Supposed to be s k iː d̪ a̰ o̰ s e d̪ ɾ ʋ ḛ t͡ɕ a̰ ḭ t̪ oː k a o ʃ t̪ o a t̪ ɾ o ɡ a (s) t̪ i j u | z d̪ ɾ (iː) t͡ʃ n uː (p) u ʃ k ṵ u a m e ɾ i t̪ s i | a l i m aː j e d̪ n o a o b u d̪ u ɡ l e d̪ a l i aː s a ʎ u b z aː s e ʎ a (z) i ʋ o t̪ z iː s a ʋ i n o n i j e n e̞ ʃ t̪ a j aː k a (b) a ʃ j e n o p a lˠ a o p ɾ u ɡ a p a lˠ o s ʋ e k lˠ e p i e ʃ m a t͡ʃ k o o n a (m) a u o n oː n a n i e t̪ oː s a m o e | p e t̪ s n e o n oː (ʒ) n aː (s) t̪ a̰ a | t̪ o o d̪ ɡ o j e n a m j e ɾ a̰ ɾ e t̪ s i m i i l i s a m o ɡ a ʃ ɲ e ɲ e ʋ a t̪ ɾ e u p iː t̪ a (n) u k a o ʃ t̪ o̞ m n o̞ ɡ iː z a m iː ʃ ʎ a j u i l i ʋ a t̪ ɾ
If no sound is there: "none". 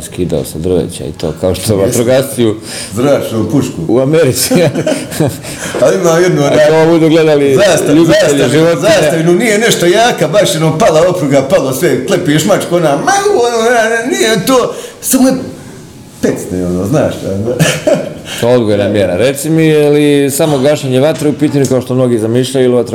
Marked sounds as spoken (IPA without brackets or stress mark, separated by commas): s, aː, p, ʒ, b, m, z, ʃ, ɲ